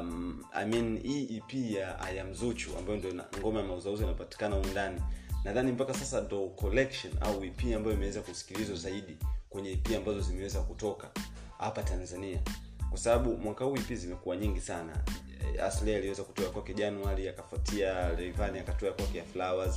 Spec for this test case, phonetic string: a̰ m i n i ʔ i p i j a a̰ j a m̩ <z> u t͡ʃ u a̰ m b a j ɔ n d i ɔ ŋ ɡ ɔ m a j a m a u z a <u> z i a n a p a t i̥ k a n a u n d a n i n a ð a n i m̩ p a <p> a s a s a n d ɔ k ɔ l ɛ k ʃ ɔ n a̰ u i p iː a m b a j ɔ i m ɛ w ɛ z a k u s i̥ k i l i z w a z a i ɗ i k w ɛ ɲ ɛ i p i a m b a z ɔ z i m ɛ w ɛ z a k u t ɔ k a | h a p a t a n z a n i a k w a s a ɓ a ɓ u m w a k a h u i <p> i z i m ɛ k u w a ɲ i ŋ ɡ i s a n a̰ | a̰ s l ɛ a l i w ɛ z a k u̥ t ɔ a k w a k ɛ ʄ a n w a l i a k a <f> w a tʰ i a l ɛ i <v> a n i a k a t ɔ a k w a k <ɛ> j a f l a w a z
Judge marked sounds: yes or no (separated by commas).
yes, yes, no, yes, yes, yes, yes